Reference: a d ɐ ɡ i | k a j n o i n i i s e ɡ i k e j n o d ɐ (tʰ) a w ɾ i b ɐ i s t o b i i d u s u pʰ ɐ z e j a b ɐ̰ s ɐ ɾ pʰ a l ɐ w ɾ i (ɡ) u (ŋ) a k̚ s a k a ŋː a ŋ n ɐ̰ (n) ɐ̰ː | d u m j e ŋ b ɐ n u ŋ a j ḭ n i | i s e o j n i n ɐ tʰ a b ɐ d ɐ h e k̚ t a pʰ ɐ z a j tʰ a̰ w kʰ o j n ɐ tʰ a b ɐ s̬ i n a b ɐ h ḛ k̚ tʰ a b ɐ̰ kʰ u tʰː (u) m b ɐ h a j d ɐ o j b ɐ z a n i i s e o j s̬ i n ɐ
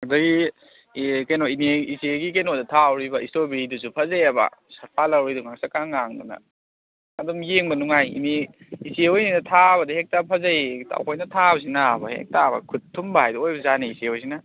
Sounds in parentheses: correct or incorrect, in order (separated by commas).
correct, incorrect, correct, correct, correct